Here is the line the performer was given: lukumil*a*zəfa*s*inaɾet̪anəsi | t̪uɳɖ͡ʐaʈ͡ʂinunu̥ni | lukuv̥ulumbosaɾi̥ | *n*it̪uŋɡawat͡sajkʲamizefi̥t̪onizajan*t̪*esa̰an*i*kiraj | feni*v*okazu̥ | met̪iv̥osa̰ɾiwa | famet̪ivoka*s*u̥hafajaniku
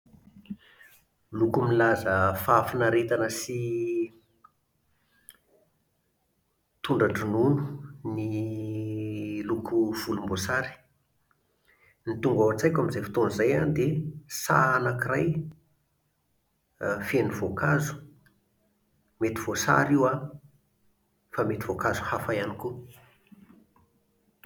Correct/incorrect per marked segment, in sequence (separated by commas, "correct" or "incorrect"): correct, incorrect, correct, incorrect, incorrect, correct, incorrect